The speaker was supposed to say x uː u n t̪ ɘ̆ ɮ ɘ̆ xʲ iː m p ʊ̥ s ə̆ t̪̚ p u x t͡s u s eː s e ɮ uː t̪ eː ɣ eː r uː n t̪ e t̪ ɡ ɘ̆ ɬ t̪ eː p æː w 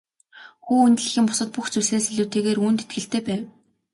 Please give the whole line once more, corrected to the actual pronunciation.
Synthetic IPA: x uː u n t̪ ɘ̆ ɮ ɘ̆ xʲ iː m p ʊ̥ s ə̆ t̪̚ p u x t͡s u s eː s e ɮ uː t̪ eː ɣ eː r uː n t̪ e t̪ ɡ ɘ̆ ɬ t̪ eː p æː w